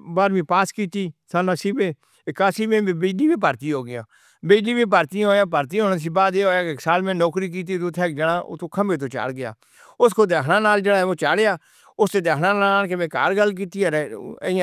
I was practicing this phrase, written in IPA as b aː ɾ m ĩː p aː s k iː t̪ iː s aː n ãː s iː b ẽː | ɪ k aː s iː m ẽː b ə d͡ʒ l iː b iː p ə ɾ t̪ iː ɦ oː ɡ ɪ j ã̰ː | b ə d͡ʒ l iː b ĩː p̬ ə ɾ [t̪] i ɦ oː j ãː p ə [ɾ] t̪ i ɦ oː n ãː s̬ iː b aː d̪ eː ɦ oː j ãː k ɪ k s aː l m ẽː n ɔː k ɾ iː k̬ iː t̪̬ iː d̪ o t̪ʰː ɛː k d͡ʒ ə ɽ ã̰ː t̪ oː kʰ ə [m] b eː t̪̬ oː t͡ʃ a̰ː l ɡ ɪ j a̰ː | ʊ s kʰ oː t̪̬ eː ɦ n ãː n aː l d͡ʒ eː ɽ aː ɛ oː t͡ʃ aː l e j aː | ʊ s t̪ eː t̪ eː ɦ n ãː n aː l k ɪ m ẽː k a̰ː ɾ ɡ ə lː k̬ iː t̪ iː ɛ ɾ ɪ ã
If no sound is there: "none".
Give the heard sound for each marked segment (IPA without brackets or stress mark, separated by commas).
t̪, ɾ, m